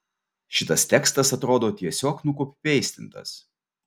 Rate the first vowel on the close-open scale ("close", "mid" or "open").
close